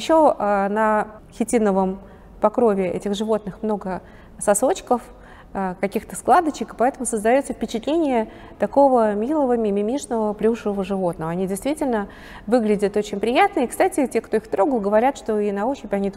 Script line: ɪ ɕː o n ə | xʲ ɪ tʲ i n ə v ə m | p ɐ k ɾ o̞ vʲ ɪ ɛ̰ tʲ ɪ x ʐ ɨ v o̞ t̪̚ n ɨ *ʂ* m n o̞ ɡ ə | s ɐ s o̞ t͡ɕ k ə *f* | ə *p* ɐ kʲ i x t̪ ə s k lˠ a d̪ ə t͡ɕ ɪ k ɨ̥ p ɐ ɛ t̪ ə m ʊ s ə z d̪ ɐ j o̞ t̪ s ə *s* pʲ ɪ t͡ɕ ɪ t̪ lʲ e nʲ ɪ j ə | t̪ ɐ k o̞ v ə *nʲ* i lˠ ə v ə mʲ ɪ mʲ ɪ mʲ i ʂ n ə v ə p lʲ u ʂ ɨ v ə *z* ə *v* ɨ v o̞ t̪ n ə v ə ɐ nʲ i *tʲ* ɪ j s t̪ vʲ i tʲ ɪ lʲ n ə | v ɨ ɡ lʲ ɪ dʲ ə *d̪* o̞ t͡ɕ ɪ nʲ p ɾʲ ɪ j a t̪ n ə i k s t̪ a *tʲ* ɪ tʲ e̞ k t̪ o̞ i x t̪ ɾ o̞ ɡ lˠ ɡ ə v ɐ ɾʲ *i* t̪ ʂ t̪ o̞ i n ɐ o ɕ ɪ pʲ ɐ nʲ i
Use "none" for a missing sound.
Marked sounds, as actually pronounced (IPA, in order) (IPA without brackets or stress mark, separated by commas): x, f, k, f, mʲ, v, ʐ, dʲ, t̪, tʲ, a